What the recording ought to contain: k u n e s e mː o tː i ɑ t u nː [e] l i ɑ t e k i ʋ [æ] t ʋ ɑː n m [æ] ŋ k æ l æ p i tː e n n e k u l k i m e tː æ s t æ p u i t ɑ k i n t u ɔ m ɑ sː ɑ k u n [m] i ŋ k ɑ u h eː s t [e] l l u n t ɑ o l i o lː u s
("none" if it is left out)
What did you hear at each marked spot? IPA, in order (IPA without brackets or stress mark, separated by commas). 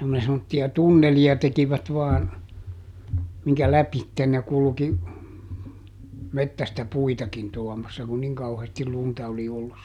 e, æ, i, n, i